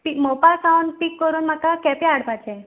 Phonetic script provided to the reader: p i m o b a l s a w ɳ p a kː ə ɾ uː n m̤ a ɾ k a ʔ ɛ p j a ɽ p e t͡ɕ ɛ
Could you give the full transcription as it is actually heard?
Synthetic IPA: p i m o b a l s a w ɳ p i kː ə ɾ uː n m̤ a k a k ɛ p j a ɽ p a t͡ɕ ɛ